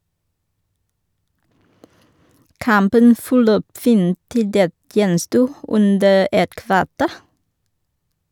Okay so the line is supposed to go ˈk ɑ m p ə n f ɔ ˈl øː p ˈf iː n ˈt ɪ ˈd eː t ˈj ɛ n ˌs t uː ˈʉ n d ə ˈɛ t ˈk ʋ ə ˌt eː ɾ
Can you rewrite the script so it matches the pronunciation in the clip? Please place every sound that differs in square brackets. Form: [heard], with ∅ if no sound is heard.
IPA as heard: ˈk ɑ m p ə n f ɔ ˈl øː p ˈf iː n ˈt ɪ ˈd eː t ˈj ɛ n ˌs t uː ˈʉ n d ə ˈɛ t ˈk ʋ [ɑ] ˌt eː ɾ